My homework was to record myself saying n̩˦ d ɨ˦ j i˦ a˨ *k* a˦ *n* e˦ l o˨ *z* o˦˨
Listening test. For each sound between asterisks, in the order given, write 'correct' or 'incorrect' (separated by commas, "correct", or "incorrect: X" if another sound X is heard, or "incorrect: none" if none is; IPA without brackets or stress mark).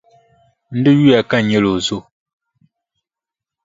correct, incorrect: ɲ, correct